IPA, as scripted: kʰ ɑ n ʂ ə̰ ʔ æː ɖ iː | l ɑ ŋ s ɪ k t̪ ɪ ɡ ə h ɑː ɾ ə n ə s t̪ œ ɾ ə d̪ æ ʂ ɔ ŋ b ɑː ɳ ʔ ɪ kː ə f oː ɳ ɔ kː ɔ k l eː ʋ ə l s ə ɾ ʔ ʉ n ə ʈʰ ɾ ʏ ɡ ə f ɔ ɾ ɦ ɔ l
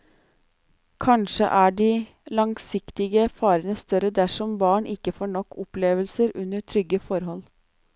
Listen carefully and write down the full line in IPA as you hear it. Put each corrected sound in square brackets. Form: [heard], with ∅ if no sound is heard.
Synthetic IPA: kʰ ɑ n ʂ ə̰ ʔ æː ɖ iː | l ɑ ŋ s ɪ k t̪ ɪ ɡ ə [f] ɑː ɾ ə n ə s t̪ œ ɾ ə d̪ æ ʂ ɔ [m] b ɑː ɳ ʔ ɪ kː ə f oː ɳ ɔ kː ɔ [p] l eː ʋ ə l s ə ɾ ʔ ʉ n ə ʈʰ ɾ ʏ ɡ ə f ɔ ɾ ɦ ɔ l